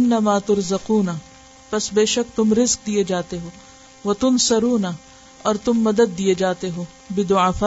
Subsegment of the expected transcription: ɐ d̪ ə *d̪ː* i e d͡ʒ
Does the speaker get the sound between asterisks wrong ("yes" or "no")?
no